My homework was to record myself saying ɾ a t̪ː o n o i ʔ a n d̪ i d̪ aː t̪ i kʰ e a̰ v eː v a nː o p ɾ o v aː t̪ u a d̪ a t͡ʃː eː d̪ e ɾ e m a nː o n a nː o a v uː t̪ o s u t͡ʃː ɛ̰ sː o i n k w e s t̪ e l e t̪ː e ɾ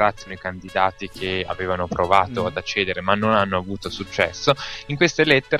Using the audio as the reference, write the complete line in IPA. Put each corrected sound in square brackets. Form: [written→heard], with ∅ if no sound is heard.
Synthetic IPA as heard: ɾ a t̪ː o n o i [ʔ→k] a n d̪ i d̪ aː t̪ i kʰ e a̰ v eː v a [nː→n] o p ɾ o v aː t̪ [u→o] a d̪ a t͡ʃː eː d̪ e ɾ e m a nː o n a nː o a v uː t̪ o s u t͡ʃː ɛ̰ sː o i [n→ŋ] k w e s t̪ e l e t̪ː e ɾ